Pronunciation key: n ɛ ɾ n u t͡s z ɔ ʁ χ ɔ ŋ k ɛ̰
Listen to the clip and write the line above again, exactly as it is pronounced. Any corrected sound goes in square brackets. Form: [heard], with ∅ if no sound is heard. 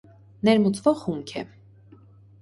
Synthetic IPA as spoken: n ɛ ɾ [m] u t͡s [v] ɔ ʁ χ [u] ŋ [kʰ] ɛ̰

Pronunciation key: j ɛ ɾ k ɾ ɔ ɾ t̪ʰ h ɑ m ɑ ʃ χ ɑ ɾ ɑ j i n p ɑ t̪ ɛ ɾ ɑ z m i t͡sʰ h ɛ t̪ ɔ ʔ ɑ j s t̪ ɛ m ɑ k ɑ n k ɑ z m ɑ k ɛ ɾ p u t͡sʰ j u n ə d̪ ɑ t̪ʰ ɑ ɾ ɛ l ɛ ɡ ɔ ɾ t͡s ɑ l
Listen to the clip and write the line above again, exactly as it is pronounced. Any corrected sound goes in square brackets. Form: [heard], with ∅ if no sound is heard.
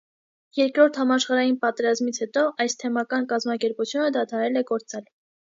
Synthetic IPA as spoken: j ɛ ɾ k ɾ ɔ ɾ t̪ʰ h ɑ m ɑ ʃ χ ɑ ɾ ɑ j i n p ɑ t̪ ɛ ɾ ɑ z m i t͡sʰ h ɛ t̪ ɔ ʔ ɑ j s [t̪ʰ] ɛ m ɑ k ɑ n k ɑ z m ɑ k ɛ ɾ p u t͡sʰ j u n ə d̪ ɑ t̪ʰ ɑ ɾ ɛ l ɛ ɡ ɔ ɾ t͡s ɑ l

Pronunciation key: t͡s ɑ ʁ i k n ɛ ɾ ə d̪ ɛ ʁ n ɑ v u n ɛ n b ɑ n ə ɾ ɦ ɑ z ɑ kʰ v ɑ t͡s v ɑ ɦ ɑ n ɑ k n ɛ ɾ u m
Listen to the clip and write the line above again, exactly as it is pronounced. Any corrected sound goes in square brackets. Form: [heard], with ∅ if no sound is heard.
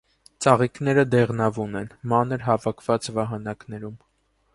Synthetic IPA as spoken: t͡s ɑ ʁ i k n ɛ ɾ ə d̪ ɛ ʁ n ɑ v u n ɛ n [m] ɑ n ə ɾ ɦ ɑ [v] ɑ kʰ v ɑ t͡s v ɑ ɦ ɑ n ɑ k n ɛ ɾ u m

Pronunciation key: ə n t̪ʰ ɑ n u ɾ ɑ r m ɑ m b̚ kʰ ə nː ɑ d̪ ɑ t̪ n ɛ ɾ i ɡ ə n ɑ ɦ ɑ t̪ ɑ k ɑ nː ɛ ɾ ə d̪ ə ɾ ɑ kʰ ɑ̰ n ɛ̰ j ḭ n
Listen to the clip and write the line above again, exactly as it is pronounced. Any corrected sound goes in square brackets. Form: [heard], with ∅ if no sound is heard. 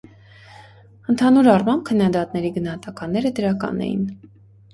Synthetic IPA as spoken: ə n t̪ʰ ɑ n u ɾ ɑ r m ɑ m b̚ kʰ ə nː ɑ d̪ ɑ t̪ n ɛ ɾ i ɡ ə n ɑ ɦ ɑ t̪ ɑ k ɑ nː ɛ ɾ ə d̪ ə ɾ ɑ [k] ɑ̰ n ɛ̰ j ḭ n

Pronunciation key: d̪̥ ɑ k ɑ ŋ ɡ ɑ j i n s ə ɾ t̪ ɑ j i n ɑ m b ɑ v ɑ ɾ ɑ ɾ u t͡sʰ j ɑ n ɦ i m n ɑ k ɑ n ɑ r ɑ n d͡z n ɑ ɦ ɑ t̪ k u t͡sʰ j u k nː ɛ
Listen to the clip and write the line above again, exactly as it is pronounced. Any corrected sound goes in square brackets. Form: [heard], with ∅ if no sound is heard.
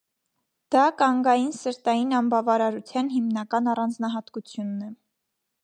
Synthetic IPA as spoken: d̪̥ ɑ k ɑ ŋ ɡ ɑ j i n s ə ɾ t̪ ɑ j i n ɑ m b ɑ v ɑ ɾ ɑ ɾ u t͡sʰ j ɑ n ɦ i m n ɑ k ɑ n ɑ r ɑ n d͡z n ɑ ɦ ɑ t̪ k u t͡sʰ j u [∅] nː ɛ

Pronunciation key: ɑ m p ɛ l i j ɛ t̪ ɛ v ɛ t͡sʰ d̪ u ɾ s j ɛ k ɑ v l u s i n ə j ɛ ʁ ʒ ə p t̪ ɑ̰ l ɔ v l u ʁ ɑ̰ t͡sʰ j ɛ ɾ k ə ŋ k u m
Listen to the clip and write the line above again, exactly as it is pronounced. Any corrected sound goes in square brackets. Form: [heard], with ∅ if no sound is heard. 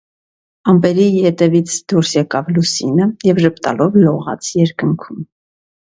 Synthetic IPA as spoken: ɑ m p ɛ [ɾ] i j ɛ t̪ ɛ v [i] t͡sʰ d̪ u ɾ s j ɛ k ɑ v l u s i n ə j ɛ [v] ʒ ə p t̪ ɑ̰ l ɔ v l [ɔ] ʁ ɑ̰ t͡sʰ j ɛ ɾ k ə ŋ [kʰ] u m

